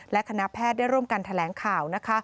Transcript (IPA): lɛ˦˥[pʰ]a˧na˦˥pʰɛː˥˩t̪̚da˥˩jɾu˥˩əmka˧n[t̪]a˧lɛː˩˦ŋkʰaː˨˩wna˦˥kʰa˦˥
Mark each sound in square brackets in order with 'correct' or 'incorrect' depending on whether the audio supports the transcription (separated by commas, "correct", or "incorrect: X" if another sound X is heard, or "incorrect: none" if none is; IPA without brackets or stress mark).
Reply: incorrect: kʰ, incorrect: t̪ʰ